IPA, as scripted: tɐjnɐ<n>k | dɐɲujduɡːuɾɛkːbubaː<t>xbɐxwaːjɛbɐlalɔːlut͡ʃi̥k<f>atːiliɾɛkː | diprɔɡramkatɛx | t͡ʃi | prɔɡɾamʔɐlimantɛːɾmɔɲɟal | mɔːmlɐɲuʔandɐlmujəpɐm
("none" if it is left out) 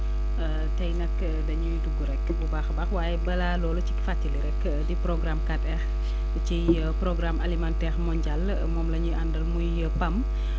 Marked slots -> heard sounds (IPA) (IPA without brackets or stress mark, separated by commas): none, none, f